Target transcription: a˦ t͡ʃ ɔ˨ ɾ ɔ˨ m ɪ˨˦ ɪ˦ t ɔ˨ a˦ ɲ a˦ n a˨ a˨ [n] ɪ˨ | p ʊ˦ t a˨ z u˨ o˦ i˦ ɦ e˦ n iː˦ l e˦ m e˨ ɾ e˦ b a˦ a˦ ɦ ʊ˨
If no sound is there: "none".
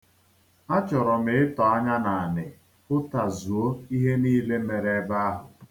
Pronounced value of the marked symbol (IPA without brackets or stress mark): n